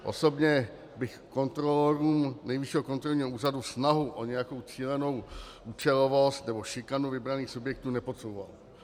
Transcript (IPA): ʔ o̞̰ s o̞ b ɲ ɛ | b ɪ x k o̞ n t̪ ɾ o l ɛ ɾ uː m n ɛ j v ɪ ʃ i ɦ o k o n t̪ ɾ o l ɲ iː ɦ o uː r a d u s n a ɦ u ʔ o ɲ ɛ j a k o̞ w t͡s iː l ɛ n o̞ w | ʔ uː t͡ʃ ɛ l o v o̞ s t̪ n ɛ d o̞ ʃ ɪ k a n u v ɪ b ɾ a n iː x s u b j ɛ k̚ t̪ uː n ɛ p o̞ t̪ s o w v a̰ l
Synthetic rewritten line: ʔ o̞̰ s o̞ b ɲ ɛ | b ɪ x k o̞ n t̪ ɾ o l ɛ ɾ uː m n ɛ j v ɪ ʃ i ɦ o k o n t̪ ɾ o l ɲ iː ɦ o uː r a d u s n a ɦ u ʔ o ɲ ɛ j a k o̞ w t͡s iː l ɛ n o̞ w | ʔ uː t͡ʃ ɛ l o v o̞ s t̪ n ɛ b o̞ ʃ ɪ k a n u v ɪ b ɾ a n iː x s u b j ɛ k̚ t̪ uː n ɛ p o̞ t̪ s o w v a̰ l